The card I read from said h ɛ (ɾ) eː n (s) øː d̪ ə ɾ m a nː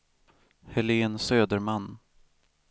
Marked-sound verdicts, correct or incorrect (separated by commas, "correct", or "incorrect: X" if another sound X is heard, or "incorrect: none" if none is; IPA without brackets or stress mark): incorrect: l, correct